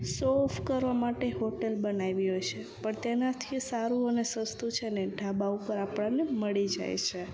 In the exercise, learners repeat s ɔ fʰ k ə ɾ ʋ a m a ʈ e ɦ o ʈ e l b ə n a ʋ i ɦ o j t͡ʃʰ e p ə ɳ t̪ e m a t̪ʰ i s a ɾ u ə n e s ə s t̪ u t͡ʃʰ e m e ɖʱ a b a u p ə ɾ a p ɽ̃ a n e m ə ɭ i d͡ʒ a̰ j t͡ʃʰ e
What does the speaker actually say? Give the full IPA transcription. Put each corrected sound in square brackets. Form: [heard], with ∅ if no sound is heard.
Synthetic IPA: s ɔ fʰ k ə ɾ ʋ a m a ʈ e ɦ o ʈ e l b ə n a ʋ i ɦ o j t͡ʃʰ e p ə ɳ t̪ e [n] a t̪ʰ i s a ɾ u ə n e s ə s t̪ u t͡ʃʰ e [n] e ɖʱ a b a u p ə ɾ a p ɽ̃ a n e m ə ɭ i d͡ʒ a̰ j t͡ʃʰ e

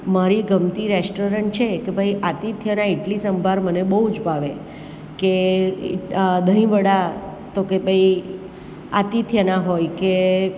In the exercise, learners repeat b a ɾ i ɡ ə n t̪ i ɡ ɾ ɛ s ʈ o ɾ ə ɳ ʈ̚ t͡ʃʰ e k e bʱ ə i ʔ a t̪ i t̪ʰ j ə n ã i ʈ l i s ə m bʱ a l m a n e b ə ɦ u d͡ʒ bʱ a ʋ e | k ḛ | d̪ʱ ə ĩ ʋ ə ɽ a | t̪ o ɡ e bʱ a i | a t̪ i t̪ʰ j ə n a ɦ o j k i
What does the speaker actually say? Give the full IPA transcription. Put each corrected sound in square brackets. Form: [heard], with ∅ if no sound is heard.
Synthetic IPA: [m] a ɾ i ɡ ə [m] t̪ i [∅] ɾ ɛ s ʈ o ɾ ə ɳ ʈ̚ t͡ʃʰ e k e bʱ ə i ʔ a t̪ i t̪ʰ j ə n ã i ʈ l i s ə m bʱ a [ɾ] m [ə] n e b ə ɦ u d͡ʒ bʱ a ʋ e | k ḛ | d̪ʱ ə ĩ ʋ ə ɽ a | t̪ o [k] e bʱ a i | a t̪ i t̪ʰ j ə n a ɦ o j k [e]

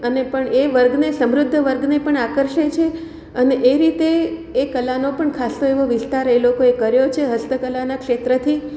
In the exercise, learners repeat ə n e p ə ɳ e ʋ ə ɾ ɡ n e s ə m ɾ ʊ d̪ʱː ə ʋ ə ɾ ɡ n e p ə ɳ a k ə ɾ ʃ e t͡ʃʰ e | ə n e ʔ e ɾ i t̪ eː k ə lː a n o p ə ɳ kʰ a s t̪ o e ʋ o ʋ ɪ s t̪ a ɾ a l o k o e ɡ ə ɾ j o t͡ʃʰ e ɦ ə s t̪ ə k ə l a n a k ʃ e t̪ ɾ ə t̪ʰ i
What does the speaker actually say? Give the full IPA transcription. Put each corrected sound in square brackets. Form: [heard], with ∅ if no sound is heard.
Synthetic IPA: ə n e p ə ɳ e ʋ ə ɾ ɡ n e s ə m ɾ ʊ d̪ʱː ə ʋ ə ɾ ɡ n e p ə ɳ a k ə ɾ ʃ e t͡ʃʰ e | ə n e ʔ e ɾ i t̪ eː k ə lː a n o p ə ɳ kʰ a s t̪ o e ʋ o ʋ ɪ s t̪ a ɾ [e] l o k o e [k] ə ɾ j o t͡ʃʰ e ɦ ə s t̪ ə k ə l a n a k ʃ e t̪ ɾ ə t̪ʰ i

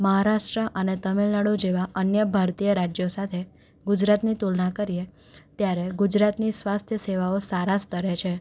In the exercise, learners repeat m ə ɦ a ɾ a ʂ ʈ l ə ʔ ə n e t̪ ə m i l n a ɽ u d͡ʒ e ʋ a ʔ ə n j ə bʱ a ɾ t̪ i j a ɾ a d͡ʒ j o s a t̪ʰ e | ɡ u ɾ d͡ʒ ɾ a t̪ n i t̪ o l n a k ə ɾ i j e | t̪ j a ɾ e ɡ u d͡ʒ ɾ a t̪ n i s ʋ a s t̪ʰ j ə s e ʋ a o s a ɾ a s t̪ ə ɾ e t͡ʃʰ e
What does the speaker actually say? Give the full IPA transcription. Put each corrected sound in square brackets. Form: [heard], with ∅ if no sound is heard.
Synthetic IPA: m ə ɦ a ɾ a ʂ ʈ [ɾ] ə ʔ ə n e t̪ ə m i l n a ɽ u d͡ʒ e ʋ a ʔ ə n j ə bʱ a ɾ t̪ i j [ə] ɾ a d͡ʒ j o s a t̪ʰ e | ɡ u [∅] d͡ʒ ɾ a t̪ n i t̪ [u] l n a k ə ɾ i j e | t̪ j a ɾ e ɡ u d͡ʒ ɾ a t̪ n i s ʋ a s t̪ʰ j ə s e ʋ a o s a ɾ a s t̪ ə ɾ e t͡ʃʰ e

